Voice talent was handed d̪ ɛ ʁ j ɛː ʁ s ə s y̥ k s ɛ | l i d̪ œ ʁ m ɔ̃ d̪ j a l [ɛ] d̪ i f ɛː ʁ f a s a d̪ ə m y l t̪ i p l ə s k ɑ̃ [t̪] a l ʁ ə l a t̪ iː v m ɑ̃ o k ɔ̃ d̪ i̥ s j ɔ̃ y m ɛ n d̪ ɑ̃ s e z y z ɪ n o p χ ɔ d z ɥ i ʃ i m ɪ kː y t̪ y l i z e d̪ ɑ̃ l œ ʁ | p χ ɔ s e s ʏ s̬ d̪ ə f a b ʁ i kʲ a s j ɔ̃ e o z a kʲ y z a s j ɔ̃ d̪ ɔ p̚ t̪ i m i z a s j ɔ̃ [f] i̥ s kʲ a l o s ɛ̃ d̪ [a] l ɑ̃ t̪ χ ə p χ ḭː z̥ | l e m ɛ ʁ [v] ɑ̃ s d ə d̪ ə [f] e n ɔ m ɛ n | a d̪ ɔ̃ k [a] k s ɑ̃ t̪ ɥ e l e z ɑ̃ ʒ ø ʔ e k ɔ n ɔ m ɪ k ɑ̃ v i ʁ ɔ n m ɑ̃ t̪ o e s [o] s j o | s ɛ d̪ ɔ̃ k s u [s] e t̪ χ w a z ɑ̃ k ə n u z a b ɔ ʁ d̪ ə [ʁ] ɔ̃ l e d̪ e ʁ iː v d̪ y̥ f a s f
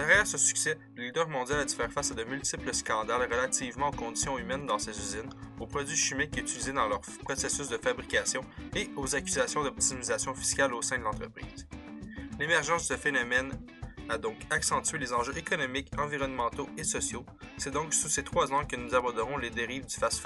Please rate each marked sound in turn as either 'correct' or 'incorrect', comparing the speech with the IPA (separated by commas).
incorrect, incorrect, correct, incorrect, incorrect, correct, correct, incorrect, correct, correct